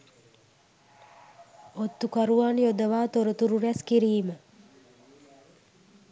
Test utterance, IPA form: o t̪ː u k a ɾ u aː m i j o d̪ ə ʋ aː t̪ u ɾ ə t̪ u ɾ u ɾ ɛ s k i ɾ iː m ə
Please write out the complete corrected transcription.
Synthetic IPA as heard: o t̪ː u k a ɾ u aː n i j o d̪ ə ʋ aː t̪ o ɾ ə t̪ u ɾ u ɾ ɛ s k i ɾ iː m ə